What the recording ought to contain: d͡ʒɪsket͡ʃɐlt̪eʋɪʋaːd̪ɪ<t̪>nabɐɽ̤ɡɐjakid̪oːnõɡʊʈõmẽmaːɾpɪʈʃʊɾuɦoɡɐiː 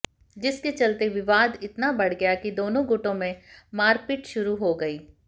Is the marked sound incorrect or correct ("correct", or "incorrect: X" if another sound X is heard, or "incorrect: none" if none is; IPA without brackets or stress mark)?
correct